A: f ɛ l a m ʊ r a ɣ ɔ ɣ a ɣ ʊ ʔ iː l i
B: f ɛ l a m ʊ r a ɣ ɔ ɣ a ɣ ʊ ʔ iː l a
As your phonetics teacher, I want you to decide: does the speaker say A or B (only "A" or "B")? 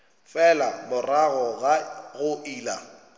B